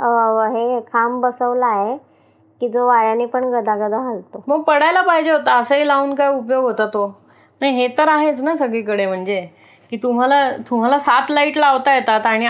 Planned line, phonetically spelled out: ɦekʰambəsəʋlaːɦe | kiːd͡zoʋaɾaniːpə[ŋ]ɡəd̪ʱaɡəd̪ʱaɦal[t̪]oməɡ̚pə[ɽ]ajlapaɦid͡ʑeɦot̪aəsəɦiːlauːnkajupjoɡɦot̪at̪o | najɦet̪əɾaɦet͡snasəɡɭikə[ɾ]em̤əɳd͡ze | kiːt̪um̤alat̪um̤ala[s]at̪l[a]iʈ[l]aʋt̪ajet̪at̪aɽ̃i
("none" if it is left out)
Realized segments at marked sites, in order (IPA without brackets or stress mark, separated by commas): ɳ, t̪, ɽ, ɽ, s, a, l